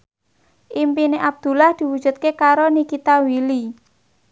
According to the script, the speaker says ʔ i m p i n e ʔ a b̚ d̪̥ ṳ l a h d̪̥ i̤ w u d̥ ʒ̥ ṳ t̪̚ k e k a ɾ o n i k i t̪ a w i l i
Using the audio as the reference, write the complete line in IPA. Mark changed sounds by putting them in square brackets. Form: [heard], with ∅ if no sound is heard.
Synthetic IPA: ʔ i m p i n e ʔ a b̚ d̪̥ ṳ l a h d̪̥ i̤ w u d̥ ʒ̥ ṳ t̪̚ k e k a ɾ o n i k i t̪ a w i l i